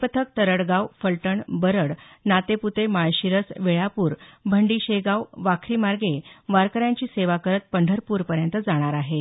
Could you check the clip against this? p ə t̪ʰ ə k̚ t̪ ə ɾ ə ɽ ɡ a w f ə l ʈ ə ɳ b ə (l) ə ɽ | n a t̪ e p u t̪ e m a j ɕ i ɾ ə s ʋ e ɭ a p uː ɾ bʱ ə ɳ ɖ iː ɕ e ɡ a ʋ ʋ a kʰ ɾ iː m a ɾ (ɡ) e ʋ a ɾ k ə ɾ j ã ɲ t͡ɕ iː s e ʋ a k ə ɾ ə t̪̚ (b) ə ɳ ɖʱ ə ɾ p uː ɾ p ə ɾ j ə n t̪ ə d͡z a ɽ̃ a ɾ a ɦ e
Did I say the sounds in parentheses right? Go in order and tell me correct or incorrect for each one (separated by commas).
incorrect, correct, incorrect